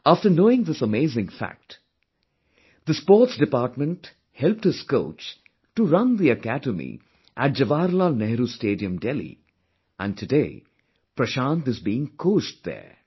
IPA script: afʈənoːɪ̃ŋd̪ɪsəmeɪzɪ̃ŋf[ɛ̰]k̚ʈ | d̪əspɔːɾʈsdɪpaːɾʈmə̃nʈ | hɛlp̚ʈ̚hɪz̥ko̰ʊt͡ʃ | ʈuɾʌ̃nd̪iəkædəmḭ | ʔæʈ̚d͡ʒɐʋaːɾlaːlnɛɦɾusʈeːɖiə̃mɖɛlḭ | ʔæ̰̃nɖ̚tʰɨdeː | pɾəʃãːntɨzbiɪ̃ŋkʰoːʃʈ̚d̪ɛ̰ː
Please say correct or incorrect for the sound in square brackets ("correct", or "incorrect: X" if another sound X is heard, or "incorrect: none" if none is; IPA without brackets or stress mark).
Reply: incorrect: æ̰